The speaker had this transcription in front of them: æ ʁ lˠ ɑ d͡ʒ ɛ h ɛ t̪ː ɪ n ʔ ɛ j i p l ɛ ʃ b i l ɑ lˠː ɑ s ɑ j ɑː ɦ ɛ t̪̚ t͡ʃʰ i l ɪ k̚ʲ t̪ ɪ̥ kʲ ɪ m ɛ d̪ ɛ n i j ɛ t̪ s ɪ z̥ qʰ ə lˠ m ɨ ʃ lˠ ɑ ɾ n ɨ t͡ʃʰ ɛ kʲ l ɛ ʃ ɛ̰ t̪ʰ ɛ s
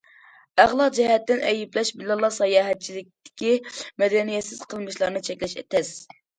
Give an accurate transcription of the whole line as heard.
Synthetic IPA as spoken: æ ʁ lˠ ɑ d͡ʒ ɛ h ɛ t̪ː ɪ n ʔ ɛ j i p l ɛ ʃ b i l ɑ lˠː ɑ s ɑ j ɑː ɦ ɛ t̪̚ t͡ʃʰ i l ɪ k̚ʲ t̪ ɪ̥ kʲ i m ɛ d̪ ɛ n i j ɛ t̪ s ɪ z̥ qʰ ə lˠ m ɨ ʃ lˠ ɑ ɾ n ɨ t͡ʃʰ ɛ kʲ l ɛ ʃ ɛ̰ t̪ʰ ɛ s